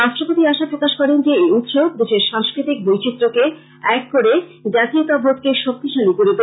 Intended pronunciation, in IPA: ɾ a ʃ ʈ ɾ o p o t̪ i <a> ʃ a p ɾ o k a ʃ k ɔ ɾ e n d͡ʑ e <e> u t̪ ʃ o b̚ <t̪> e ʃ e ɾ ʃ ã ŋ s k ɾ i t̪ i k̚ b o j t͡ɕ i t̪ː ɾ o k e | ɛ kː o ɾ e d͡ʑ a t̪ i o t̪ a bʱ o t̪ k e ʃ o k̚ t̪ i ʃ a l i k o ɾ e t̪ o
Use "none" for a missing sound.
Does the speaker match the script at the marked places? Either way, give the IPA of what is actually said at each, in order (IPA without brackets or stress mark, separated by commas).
a, e, d̪